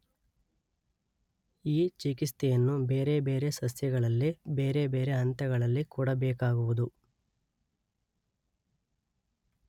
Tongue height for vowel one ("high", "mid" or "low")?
high